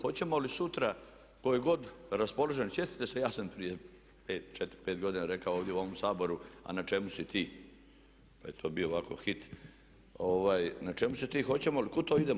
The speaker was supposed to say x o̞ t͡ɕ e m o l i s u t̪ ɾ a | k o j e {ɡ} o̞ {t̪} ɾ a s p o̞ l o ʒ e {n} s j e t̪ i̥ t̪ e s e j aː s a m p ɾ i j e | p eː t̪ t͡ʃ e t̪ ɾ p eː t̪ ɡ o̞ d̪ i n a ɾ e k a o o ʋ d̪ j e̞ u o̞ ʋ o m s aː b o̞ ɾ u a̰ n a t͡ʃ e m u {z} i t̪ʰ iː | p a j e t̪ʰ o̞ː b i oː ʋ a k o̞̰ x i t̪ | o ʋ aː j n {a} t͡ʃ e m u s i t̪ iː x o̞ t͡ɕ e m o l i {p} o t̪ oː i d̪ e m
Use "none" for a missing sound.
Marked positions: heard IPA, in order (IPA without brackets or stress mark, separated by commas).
ɡ, d̪, n, s, a, k